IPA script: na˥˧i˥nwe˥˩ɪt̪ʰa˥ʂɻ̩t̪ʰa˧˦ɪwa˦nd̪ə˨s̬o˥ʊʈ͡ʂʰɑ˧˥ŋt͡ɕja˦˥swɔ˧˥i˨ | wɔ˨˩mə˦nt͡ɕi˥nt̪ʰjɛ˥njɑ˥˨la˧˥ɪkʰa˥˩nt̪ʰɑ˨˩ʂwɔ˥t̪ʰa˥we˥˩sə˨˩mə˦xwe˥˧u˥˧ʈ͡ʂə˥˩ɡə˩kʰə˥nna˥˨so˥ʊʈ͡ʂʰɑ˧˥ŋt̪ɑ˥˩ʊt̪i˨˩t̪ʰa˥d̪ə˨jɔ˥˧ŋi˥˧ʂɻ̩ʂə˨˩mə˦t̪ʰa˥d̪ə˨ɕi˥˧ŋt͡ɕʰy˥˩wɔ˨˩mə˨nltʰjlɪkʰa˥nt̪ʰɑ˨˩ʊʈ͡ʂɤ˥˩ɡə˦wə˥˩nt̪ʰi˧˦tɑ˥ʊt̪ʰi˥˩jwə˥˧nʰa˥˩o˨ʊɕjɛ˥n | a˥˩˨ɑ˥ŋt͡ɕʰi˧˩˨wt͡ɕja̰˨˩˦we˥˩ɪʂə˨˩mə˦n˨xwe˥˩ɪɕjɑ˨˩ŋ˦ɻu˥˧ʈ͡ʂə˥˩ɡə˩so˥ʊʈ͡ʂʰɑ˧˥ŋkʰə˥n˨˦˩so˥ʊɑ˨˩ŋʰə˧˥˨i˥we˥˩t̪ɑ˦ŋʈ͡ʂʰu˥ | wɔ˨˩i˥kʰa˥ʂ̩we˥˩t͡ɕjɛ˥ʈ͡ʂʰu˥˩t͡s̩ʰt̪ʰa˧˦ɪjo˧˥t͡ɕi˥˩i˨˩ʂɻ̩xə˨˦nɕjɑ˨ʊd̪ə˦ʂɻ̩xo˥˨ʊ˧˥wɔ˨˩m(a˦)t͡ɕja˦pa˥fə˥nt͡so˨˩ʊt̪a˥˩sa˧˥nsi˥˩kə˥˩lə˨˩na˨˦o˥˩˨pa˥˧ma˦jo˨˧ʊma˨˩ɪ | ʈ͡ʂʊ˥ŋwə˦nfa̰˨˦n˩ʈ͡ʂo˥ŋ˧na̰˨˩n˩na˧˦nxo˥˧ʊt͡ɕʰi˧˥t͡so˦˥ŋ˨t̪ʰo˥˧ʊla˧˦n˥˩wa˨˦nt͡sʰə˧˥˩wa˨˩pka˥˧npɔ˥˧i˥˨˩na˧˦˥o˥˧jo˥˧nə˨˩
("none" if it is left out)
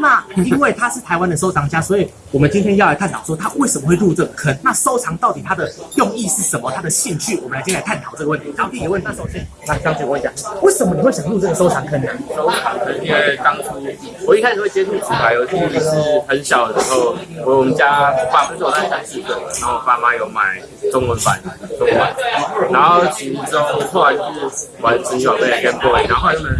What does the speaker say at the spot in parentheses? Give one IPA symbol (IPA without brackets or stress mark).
ə˦